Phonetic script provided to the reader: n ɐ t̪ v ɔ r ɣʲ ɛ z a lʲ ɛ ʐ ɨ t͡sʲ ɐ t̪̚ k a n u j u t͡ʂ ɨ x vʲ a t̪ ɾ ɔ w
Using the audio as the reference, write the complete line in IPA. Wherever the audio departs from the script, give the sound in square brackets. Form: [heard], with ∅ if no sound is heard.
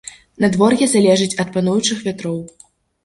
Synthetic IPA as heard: n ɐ [d̪] v ɔ r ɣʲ ɛ z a lʲ ɛ ʐ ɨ t͡sʲ ɐ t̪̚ [p] a n u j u t͡ʂ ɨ x vʲ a t̪ ɾ ɔ w